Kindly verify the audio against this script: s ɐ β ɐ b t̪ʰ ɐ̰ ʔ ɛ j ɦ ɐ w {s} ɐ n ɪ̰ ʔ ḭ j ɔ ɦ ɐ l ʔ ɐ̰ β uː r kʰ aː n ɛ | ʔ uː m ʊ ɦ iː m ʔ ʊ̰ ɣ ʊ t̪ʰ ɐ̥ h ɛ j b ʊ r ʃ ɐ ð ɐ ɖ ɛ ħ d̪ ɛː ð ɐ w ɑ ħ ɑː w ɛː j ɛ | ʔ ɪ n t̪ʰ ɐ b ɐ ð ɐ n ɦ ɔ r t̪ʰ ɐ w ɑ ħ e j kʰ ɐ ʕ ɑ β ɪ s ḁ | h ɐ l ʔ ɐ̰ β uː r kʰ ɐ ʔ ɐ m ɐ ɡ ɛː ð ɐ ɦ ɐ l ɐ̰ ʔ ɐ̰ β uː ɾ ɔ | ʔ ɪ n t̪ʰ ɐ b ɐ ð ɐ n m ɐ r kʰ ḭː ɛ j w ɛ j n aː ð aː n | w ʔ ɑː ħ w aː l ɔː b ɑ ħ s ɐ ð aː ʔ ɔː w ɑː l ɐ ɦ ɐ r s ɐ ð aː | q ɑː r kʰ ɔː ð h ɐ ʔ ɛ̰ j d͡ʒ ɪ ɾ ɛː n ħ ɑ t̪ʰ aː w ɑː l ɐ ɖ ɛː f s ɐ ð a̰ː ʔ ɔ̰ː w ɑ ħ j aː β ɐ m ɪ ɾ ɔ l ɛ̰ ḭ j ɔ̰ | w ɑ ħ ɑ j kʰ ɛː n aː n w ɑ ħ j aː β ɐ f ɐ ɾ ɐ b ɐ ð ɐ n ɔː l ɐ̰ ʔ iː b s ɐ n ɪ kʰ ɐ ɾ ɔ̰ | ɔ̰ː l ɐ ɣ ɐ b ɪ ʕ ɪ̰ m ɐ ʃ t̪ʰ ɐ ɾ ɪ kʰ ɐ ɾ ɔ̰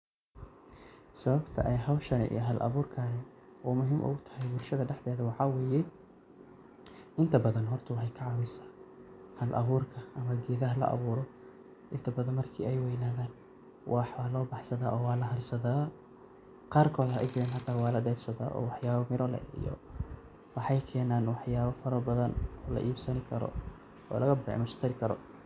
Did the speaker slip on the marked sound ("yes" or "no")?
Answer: yes